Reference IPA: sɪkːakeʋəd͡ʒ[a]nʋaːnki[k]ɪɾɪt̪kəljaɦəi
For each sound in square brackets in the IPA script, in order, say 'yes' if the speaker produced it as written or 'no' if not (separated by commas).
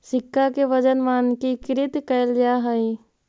no, yes